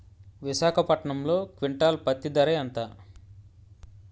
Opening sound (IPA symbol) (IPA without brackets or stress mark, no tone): ʋ